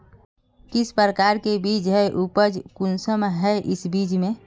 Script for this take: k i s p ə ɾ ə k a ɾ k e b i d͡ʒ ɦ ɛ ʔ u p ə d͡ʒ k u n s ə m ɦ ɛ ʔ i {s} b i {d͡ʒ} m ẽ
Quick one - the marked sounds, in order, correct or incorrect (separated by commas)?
correct, correct